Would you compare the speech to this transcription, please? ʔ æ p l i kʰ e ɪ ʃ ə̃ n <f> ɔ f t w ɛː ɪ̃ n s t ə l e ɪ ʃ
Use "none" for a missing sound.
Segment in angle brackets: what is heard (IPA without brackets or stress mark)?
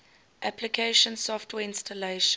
s